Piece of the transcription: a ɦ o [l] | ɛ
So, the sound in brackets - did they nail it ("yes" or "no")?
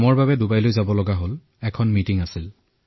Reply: yes